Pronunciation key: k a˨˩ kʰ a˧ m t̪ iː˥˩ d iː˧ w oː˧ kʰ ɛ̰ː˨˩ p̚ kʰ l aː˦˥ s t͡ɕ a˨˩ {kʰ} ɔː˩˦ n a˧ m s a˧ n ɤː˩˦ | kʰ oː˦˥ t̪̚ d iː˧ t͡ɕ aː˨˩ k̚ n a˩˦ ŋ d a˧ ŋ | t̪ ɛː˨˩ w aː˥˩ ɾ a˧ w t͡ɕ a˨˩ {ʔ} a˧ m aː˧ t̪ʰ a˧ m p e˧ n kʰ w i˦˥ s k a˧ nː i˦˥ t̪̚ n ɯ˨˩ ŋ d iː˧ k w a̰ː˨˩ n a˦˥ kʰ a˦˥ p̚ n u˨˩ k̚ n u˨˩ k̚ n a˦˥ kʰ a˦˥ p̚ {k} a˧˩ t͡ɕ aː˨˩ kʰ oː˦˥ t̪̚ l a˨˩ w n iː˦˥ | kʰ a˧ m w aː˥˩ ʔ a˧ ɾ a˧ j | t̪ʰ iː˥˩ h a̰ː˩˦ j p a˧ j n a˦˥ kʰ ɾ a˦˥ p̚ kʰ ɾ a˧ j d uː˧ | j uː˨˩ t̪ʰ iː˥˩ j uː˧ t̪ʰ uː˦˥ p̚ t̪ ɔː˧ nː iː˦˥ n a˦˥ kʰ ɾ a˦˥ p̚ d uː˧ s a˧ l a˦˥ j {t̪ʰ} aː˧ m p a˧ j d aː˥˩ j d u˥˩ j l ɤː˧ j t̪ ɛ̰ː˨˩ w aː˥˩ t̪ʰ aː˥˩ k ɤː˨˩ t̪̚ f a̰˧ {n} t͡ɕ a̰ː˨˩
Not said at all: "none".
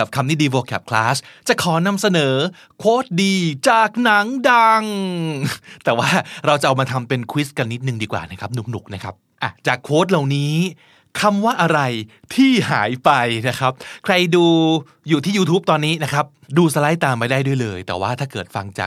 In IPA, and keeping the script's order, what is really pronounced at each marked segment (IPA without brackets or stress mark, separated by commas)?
kʰ, ʔ, ʔ, t̪, ŋ